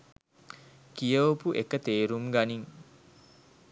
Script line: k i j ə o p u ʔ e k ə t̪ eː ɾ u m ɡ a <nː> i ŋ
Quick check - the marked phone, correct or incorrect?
incorrect